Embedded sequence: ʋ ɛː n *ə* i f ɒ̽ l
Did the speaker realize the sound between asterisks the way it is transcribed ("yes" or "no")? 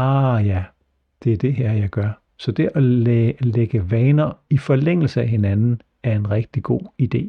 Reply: no